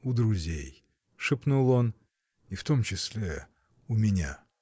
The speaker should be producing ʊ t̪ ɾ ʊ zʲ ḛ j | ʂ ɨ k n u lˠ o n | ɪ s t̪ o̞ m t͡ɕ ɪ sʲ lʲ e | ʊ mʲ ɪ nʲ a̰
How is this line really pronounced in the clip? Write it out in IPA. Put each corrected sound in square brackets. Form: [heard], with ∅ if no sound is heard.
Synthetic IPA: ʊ [d̪] ɾ ʊ zʲ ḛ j | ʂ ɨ [p] n u lˠ o n | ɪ [f] t̪ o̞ m t͡ɕ ɪ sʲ lʲ e | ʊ mʲ ɪ nʲ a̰

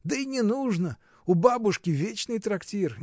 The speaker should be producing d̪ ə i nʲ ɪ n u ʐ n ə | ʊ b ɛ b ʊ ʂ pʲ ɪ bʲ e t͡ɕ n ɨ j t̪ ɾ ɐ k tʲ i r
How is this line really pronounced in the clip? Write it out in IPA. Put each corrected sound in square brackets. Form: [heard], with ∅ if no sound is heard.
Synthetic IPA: d̪ ə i nʲ ɪ n u ʐ n ə | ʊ b [a] b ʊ ʂ [kʲ] ɪ [vʲ] e t͡ɕ n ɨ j t̪ ɾ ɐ k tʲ i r

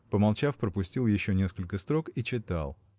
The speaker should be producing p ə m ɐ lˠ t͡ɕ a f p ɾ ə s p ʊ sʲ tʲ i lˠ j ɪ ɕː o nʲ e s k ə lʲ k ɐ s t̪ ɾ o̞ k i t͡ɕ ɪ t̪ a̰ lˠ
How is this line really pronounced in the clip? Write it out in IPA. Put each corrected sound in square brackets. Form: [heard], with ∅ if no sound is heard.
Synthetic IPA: p ə m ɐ lˠ t͡ɕ a f p ɾ ə [∅] p ʊ sʲ tʲ i lˠ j ɪ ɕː o nʲ e s k ə lʲ k [ə] s t̪ ɾ o̞ k i t͡ɕ ɪ t̪ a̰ lˠ

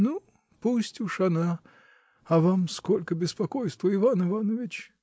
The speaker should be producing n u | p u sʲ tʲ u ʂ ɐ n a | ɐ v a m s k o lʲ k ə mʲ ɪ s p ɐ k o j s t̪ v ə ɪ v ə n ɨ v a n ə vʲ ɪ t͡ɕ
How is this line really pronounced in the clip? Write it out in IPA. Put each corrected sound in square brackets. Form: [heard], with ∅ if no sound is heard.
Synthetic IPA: n u | p u sʲ tʲ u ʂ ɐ n a | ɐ v a m s k o lʲ k ə [bʲ] ɪ s p ɐ k o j s t̪ v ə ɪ v [a] n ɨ v a n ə vʲ ɪ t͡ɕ

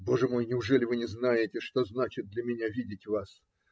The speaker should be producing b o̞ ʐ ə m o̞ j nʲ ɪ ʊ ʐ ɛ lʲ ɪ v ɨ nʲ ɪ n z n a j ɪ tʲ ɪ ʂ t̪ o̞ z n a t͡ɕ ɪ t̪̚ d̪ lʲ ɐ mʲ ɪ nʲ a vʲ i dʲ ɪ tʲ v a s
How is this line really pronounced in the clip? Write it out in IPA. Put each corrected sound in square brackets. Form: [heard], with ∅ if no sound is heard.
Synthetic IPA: b o̞ ʐ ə m o̞ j nʲ ɪ ʊ ʐ ɛ lʲ ɪ v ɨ nʲ ɪ [∅] z n a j ɪ tʲ ɪ ʂ t̪ o̞ z n a t͡ɕ ɪ t̪̚ d̪ lʲ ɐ mʲ ɪ nʲ a vʲ i dʲ ɪ tʲ v a s

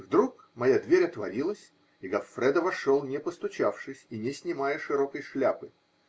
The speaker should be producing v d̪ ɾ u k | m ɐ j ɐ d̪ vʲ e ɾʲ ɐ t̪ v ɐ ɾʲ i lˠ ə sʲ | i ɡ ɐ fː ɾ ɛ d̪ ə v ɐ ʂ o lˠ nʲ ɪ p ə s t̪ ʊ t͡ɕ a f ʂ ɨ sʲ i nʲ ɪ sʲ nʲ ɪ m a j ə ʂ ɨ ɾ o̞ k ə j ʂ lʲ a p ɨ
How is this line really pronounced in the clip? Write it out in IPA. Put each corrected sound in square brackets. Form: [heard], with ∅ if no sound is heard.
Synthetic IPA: v d̪ ɾ u k | m ɐ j [a] d̪ vʲ e ɾʲ ɐ t̪ v ɐ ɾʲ i lˠ ə sʲ | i ɡ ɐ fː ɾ ɛ d̪ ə v ɐ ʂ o lˠ nʲ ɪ p ə s t̪ ʊ t͡ɕ a f ʂ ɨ sʲ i nʲ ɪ sʲ nʲ ɪ m a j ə ʂ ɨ ɾ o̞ k ə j ʂ lʲ a p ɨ

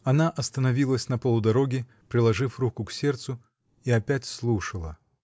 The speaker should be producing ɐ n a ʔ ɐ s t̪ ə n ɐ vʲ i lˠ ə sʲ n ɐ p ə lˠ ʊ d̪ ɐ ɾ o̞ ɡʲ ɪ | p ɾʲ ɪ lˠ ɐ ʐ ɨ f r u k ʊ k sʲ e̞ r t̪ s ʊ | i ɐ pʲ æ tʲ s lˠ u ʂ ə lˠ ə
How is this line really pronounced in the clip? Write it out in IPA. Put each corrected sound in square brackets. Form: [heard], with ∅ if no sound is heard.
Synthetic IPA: ɐ n a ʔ ɐ s t̪ ə n ɐ vʲ i lˠ ə sʲ n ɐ p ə lˠ ʊ d̪ ɐ ɾ o̞ ɡʲ ɪ | p ɾʲ ɪ lˠ ɐ ʐ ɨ f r u k ʊ k sʲ e̞ r t̪ s ʊ | i ɐ pʲ æ tʲ s lˠ u ʂ ə lˠ ə

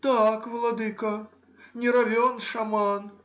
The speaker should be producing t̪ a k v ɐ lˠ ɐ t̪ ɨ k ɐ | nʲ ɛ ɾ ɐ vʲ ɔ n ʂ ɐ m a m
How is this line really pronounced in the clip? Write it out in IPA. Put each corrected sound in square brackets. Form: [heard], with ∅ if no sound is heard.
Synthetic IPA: t̪ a k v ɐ lˠ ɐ [d̪] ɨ k ɐ | nʲ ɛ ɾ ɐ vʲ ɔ n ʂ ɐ m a [n]

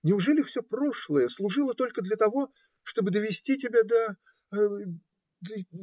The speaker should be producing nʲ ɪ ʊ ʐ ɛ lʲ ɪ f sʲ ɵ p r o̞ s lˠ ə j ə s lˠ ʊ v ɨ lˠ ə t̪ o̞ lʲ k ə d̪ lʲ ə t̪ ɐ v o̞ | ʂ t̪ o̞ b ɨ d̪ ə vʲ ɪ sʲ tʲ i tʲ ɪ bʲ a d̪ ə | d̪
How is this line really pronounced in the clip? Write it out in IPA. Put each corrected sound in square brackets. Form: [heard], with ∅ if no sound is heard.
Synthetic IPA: nʲ ɪ ʊ ʐ ɛ lʲ ɪ f sʲ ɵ p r o̞ [ʂ] lˠ ə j ə s lˠ ʊ [ʐ] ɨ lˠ ə t̪ o̞ lʲ k ə d̪ lʲ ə t̪ ɐ v o̞ | ʂ t̪ o̞ b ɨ d̪ ə vʲ ɪ sʲ tʲ i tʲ ɪ bʲ a d̪ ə | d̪

